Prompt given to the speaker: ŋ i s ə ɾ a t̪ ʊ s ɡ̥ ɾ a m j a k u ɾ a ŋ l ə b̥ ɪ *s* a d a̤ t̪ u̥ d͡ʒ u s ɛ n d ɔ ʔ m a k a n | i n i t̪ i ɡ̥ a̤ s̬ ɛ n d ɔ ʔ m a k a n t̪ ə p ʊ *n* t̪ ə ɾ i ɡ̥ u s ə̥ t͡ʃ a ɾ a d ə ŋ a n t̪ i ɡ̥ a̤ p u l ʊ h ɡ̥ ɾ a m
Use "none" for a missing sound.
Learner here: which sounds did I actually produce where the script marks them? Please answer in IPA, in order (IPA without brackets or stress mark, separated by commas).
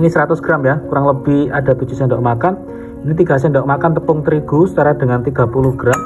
h, ŋ